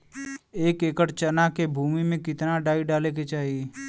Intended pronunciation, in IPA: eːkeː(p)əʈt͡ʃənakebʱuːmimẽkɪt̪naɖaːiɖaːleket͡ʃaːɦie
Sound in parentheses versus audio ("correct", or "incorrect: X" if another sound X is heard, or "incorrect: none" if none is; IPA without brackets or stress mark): incorrect: k